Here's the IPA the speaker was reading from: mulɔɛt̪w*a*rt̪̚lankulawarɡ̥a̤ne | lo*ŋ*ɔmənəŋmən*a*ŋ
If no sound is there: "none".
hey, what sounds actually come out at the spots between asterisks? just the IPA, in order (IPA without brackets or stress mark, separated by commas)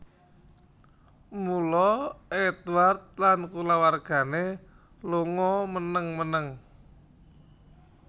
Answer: a, ŋ, ə